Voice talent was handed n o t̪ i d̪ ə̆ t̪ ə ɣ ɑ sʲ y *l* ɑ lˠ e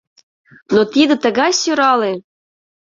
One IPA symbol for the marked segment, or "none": ɾ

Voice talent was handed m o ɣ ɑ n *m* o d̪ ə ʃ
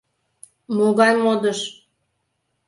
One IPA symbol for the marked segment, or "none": m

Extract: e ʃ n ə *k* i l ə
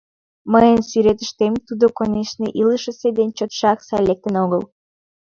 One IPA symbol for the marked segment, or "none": ʔ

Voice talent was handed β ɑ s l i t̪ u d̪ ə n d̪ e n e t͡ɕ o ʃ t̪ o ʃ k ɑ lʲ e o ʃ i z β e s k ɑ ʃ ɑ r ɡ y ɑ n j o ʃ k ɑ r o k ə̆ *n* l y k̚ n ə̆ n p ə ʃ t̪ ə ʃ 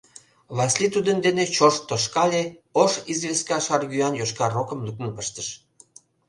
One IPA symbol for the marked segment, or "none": m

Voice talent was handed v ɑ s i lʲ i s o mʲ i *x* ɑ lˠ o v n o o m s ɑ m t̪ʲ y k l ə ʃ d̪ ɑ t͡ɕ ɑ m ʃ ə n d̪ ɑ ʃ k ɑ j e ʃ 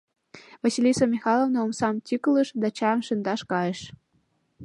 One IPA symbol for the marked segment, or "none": x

